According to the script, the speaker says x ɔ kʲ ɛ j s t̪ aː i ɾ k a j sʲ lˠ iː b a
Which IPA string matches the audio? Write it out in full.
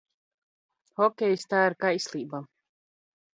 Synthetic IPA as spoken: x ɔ kʲ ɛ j s t̪ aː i ɾ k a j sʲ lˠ iː b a